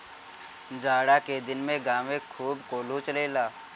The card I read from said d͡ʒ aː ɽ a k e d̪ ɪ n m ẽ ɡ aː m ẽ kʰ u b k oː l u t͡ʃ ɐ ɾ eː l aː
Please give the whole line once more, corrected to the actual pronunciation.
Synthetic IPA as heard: d͡ʒ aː ɽ a k e d̪ ɪ n m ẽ ɡ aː m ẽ kʰ uː b k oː l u t͡ʃ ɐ l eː l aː